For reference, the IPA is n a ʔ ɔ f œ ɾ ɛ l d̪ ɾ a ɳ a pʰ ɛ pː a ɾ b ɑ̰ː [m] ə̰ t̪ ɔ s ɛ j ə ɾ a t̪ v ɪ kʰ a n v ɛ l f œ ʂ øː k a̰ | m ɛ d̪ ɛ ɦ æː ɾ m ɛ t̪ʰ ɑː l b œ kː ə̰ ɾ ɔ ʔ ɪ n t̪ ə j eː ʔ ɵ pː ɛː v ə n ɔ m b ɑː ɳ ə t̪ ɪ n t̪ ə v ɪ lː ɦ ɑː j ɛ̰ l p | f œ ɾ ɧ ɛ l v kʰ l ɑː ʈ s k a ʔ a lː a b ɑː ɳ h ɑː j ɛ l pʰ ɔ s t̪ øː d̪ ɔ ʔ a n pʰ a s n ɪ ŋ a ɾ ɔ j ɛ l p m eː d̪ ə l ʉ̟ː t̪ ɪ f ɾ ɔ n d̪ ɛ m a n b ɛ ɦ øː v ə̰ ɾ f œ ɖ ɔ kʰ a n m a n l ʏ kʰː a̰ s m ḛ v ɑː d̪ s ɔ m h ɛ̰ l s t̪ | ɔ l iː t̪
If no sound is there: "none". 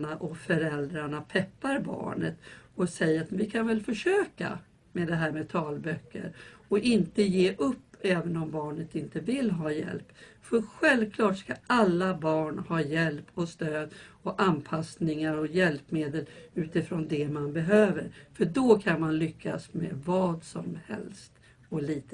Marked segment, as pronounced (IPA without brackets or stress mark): ɳ